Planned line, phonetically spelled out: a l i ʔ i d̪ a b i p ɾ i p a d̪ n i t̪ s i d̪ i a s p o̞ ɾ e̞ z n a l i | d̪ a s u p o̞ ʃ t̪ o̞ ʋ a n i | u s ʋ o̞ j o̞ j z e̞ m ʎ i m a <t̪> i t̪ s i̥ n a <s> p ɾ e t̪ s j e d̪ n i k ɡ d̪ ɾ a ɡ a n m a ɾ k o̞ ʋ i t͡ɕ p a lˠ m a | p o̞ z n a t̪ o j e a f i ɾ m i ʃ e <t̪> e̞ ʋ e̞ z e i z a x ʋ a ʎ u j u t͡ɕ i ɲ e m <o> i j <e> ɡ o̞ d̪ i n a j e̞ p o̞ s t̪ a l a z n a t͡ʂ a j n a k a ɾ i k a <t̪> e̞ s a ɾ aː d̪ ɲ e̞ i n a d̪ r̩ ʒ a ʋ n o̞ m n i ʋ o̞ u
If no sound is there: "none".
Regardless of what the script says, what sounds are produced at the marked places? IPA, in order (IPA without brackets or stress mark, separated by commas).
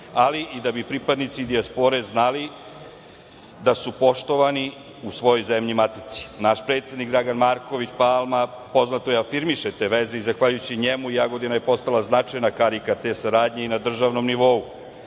t̪, ʃ, t̪, u, a, t̪